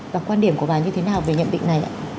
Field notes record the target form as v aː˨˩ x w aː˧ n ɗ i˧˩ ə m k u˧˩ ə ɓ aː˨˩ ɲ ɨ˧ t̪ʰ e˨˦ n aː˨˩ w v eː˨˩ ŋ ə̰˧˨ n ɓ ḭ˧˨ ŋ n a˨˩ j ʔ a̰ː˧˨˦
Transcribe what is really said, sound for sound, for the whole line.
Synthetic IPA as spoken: v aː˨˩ k w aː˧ n ɗ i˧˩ ə m k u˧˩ ə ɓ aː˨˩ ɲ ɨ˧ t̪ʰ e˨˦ n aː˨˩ w v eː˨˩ ɲ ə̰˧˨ n ɓ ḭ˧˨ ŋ n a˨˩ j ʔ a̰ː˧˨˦